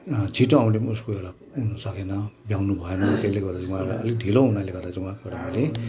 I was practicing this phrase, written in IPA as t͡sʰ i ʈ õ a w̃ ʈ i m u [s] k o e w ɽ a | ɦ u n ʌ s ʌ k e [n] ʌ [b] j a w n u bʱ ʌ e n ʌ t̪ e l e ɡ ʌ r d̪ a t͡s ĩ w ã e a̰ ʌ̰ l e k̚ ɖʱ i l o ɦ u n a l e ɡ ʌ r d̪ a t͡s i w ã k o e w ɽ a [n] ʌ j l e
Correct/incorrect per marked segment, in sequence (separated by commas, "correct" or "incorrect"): correct, correct, correct, incorrect